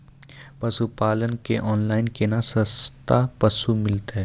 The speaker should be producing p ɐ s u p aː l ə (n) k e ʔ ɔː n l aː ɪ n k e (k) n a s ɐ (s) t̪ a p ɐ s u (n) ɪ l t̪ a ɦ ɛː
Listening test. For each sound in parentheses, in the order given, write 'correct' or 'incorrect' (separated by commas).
correct, incorrect, correct, incorrect